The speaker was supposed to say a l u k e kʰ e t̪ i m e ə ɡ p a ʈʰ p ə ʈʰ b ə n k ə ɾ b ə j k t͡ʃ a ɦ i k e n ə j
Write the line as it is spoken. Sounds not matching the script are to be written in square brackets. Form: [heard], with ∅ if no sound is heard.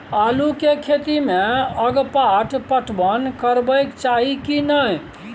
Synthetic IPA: a l u k e kʰ e t̪ i m e ə ɡ p a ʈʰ p ə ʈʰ b ə n k ə ɾ b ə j k t͡ʃ a ɦ i k [i] n ə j